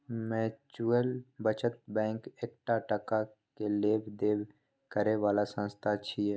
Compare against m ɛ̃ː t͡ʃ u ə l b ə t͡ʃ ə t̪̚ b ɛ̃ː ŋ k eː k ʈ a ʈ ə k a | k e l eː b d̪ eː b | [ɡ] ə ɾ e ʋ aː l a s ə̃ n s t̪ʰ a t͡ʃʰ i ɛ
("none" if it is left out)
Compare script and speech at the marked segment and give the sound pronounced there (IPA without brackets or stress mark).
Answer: k